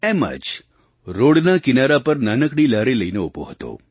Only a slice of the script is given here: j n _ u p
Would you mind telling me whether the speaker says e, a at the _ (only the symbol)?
e